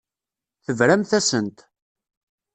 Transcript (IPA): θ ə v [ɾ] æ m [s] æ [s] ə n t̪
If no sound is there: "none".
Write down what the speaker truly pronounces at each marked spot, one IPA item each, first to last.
ɾ, θ, s

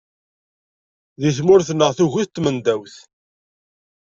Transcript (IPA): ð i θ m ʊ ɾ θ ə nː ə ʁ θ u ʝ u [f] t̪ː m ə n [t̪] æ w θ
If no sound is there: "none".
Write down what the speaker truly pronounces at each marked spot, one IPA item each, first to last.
θ, d̪

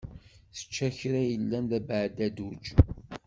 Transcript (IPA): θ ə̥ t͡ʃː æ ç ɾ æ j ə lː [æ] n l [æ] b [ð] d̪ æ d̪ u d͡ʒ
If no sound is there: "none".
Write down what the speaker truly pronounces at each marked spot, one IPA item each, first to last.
æ, æ, ʕ

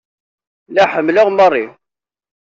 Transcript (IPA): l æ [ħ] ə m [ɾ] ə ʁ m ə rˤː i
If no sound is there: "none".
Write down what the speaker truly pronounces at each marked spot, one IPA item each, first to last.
ħ, l

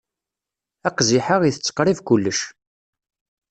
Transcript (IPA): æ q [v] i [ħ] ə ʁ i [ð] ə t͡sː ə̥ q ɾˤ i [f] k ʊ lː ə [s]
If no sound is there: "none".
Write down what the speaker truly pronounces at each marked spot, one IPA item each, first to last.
z, ħ, θ, v, ʃ

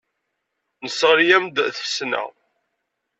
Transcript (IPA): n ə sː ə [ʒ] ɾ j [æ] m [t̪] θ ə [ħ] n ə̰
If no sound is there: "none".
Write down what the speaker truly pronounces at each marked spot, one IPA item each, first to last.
ʁ, æ, d̪, s

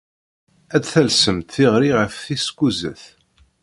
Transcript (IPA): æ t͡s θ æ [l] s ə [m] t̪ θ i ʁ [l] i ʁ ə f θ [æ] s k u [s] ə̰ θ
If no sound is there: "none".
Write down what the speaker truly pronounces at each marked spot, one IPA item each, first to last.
l, m, ɾ, i, z

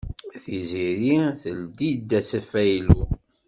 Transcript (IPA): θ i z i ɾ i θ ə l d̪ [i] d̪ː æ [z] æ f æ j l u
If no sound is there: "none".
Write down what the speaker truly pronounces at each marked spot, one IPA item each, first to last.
i, s

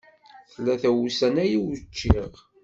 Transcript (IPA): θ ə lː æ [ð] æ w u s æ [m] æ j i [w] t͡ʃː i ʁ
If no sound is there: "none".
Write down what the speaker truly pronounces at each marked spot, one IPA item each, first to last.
θ, n, w

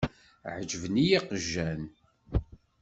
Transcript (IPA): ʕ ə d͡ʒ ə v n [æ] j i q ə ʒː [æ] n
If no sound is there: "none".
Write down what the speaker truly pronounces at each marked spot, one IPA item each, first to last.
i, æ

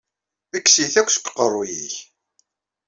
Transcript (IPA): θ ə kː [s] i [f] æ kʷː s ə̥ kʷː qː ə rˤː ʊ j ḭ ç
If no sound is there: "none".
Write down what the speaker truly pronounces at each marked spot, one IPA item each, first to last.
s, θ

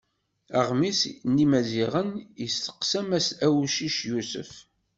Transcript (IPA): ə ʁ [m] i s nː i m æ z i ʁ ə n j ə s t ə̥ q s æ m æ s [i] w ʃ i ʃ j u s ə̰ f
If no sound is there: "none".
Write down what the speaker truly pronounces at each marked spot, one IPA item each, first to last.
m, æ

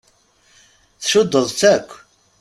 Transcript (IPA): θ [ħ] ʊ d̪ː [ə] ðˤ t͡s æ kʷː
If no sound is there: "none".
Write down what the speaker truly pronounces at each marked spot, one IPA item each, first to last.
ʃ, ə

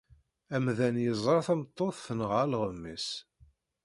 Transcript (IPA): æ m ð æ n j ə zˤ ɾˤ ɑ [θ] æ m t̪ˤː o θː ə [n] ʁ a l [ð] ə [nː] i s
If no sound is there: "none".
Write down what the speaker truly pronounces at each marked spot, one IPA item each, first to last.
θ, n, ʁ, mː

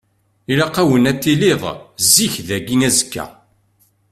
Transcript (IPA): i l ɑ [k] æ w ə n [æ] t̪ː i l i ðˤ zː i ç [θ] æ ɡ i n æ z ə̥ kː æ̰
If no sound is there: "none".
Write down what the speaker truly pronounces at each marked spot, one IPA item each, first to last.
q, æ, ð

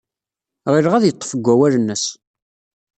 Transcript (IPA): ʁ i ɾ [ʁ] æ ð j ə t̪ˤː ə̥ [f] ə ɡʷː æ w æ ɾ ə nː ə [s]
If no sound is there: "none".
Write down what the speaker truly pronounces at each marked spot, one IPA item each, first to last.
ʁ, f, s

